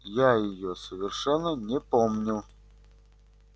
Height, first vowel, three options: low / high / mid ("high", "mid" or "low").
low